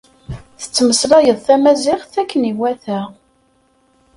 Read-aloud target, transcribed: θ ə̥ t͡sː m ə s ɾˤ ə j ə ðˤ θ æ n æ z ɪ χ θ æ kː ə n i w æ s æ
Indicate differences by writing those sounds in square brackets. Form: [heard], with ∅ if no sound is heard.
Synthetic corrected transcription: θ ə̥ t͡sː m ə s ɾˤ [ɑ] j ə ðˤ θ æ [m] æ z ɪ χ θ æ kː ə n i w æ [θ] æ